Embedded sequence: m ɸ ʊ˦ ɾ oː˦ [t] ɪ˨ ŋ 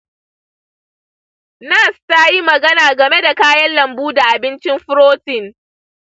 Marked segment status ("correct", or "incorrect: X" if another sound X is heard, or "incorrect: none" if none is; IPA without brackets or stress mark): correct